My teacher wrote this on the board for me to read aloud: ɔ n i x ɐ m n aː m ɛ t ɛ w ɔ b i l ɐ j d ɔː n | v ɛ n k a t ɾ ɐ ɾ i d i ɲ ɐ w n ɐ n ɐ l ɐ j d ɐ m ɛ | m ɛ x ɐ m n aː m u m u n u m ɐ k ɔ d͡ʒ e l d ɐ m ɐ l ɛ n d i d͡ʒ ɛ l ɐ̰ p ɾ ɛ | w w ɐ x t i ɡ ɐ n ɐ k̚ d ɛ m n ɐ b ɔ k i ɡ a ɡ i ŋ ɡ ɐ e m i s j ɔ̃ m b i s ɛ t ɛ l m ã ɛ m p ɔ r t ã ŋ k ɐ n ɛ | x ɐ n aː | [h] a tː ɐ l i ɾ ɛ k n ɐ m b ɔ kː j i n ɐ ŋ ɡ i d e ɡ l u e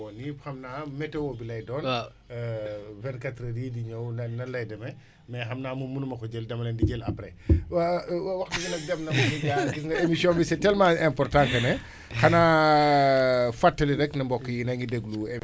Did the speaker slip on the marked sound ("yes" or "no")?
yes